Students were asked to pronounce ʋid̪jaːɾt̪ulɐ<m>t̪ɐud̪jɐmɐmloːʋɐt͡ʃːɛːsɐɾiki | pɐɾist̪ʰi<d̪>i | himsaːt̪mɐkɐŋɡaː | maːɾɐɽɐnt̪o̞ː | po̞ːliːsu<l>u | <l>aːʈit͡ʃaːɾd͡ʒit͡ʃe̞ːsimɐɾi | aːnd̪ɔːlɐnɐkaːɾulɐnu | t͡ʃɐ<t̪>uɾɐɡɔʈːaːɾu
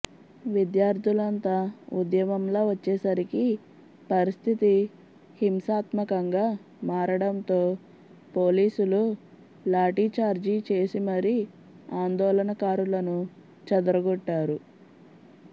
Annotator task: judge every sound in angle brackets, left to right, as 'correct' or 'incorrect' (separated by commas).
incorrect, incorrect, correct, correct, incorrect